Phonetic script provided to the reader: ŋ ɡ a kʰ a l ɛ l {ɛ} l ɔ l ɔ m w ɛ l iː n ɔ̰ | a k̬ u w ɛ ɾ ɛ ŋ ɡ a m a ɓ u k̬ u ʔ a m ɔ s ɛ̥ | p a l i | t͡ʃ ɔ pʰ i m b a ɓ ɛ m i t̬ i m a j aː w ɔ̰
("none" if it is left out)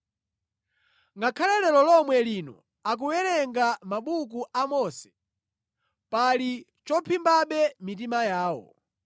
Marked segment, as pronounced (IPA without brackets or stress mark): ɛ